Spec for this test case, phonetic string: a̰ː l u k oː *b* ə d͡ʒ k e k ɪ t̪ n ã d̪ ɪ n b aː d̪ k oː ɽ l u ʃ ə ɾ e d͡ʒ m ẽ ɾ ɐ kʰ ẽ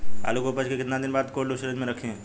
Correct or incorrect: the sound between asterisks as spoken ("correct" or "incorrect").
incorrect